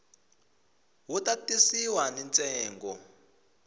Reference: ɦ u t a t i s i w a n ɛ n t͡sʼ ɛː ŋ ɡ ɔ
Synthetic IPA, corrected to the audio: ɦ u t a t i s i w a n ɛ n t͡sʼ ɛː ŋ ɡ ɔ